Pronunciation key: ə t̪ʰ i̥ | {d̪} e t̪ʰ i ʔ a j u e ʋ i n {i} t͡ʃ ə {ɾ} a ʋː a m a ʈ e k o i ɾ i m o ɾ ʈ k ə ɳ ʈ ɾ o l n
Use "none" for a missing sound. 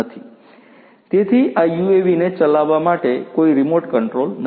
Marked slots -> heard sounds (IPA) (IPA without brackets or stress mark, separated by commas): t̪, e, l